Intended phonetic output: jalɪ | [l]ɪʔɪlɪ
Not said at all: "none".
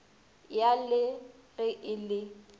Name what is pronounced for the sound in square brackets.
r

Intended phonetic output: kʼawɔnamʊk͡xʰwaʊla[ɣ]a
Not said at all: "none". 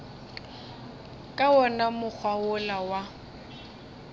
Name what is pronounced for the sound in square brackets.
w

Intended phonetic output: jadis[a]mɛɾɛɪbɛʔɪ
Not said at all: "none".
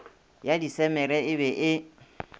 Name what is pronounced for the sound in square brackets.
ɛ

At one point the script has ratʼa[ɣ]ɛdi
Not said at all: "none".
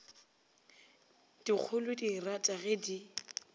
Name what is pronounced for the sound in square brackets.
ɣ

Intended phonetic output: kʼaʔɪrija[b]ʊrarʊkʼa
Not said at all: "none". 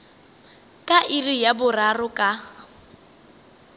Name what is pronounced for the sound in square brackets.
b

